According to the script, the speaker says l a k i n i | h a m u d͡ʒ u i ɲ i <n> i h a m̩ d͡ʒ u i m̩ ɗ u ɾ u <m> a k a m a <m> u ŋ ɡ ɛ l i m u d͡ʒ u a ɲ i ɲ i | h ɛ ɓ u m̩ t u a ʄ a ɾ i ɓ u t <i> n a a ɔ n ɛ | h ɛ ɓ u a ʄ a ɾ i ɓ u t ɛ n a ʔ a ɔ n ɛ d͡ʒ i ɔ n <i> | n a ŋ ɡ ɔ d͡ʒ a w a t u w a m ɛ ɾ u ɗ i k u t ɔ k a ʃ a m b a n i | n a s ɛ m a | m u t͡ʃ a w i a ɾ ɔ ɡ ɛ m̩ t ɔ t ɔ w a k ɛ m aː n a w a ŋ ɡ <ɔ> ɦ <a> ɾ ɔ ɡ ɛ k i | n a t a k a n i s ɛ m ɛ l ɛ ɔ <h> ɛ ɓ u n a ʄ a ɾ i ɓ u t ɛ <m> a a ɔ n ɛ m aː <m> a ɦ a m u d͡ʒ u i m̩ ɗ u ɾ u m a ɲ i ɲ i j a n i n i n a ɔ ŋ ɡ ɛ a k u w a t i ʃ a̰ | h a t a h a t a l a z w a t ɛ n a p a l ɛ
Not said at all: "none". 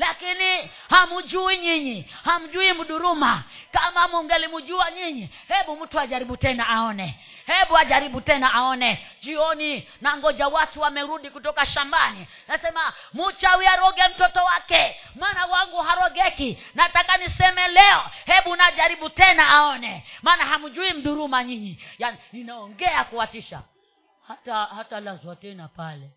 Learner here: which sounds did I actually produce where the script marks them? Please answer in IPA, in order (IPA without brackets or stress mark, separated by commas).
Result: ɲ, m, m, ɛ, i, u, a, h, n, n